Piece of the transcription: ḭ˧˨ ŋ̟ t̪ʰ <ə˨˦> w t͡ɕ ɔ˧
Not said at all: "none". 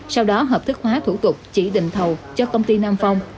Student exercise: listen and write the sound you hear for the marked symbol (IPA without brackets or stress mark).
ə˨˩